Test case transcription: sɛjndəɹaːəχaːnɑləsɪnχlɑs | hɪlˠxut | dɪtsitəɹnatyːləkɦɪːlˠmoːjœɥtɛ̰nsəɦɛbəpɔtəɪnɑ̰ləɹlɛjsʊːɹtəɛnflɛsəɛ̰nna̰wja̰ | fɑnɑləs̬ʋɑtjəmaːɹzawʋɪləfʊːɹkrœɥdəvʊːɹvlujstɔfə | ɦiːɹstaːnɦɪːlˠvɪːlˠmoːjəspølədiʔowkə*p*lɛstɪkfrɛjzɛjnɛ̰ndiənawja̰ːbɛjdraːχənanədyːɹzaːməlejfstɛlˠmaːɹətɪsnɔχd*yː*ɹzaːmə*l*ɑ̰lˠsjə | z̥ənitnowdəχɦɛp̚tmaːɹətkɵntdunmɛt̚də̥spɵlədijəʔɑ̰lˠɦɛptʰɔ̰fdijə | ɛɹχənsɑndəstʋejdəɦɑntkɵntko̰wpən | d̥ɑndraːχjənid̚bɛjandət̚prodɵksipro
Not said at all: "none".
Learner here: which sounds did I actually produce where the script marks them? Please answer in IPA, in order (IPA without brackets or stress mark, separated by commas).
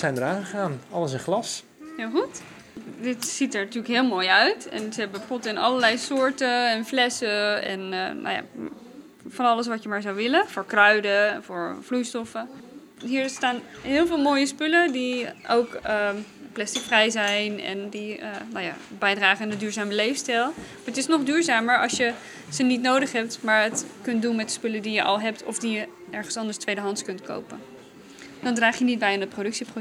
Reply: p, yː, ɹ